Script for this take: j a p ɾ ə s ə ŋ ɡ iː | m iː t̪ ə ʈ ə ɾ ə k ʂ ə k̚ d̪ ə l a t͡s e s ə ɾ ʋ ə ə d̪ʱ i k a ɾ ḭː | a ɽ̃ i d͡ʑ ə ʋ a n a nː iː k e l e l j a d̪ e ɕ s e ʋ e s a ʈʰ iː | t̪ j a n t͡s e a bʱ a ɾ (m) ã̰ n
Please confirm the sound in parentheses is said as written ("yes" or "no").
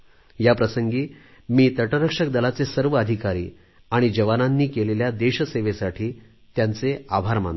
yes